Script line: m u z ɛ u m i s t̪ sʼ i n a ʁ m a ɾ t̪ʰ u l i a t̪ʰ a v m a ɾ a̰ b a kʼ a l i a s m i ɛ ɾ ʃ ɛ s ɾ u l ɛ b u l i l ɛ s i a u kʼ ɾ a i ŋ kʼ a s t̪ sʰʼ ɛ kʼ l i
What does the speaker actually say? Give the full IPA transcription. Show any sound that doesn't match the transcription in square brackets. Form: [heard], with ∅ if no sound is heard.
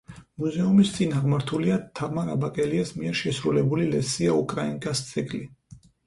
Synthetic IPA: m u z ɛ u m i s t̪ sʼ i n a ʁ m a ɾ t̪ʰ u l i a t̪ʰ a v m a ɾ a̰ b a kʼ [ɛ] l i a s m i ɛ ɾ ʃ ɛ s ɾ u l ɛ b u l i l ɛ s i a u kʼ ɾ a i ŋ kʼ a s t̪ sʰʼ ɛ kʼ l i